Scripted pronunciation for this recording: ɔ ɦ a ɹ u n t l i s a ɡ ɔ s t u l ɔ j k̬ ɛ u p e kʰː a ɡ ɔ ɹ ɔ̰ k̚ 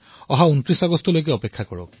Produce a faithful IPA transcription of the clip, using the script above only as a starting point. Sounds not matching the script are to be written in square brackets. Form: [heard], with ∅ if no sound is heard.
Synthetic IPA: ɔ ɦ a [∅] u n t [ɹ] i s a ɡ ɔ s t [ɔ] l [o] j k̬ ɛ [ɔ] p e kʰː a [k] ɔ ɹ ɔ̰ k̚